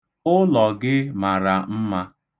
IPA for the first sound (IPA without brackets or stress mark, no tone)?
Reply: ʊ